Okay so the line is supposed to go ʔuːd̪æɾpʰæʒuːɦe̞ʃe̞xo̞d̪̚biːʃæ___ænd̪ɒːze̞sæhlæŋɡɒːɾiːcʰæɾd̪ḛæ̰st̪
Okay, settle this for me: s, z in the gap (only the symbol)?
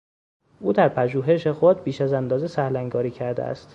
z